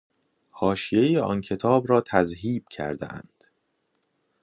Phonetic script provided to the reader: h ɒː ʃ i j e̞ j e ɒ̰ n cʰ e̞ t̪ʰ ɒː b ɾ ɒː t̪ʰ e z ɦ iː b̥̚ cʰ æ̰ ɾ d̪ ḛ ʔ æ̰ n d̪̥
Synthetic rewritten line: h ɒː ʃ i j e̞ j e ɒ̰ n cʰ e̞ t̪ʰ ɒː b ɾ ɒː t̪ʰ æ z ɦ iː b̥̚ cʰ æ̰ ɾ d̪ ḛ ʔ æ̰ n d̪̥